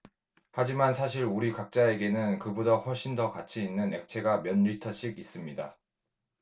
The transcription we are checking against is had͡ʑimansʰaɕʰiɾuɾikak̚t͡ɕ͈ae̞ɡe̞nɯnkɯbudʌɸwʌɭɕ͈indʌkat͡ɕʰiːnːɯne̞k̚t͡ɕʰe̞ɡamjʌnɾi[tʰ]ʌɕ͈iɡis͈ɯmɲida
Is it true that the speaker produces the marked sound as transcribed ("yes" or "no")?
yes